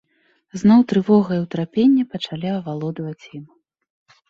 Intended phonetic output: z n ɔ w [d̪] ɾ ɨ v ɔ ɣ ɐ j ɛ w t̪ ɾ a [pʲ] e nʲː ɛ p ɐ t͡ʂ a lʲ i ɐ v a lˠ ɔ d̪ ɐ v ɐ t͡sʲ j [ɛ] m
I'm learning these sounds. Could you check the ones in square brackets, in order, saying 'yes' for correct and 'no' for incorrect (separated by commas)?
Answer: no, yes, no